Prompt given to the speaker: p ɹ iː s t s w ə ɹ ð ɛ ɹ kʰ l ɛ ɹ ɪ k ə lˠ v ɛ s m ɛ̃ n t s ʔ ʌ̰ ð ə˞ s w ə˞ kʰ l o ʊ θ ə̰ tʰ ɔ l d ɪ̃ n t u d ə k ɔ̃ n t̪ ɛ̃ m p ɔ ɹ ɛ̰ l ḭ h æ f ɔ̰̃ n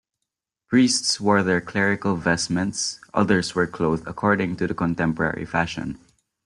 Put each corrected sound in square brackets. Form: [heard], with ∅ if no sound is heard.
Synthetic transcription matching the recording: p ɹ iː s t s w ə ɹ ð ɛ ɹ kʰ l ɛ ɹ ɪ k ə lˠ v ɛ s m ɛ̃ n t s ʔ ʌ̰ ð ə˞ s w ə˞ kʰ l o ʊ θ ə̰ [kʰ] ɔ [ɹ] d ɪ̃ [ŋ] t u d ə k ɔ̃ n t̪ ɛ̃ m p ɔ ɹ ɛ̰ [ɹ] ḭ [f] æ [ʃ] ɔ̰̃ n